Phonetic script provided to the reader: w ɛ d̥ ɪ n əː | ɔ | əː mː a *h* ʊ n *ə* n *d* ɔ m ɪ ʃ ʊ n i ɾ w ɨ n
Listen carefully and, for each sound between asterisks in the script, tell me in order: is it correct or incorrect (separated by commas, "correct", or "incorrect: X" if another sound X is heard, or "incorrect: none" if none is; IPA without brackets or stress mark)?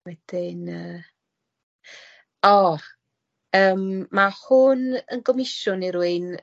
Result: correct, correct, incorrect: ɡ